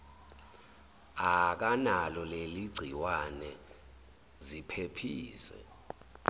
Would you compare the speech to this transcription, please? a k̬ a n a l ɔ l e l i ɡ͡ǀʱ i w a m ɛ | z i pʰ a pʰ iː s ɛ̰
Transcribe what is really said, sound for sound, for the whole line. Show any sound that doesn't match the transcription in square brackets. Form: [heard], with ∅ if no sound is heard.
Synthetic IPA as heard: a k̬ a n a l ɔ l e l i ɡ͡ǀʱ i w a [n] ɛ | z i pʰ [e] pʰ iː s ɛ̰